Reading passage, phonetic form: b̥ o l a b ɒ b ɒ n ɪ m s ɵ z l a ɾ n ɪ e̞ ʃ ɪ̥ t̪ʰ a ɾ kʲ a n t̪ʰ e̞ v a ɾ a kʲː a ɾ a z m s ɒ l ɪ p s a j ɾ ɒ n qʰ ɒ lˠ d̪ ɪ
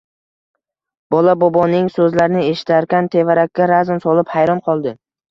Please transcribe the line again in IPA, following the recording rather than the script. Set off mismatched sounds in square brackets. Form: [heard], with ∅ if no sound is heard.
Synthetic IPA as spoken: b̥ [ɒ] l a b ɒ b ɒ n ɪ [ŋ] s ɵ z l a ɾ n ɪ e̞ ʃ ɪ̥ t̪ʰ a ɾ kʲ a n t̪ʰ e̞ v a ɾ a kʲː a ɾ a z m s ɒ l ɪ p [h] a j ɾ ɒ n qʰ ɒ lˠ d̪ ɪ